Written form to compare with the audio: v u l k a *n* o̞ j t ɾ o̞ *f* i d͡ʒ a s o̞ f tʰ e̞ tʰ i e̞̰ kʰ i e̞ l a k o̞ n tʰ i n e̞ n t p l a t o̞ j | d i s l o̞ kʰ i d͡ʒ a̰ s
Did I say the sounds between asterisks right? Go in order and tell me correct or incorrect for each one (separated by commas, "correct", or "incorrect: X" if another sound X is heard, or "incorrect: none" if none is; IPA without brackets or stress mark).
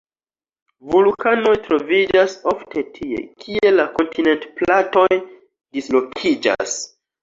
correct, incorrect: v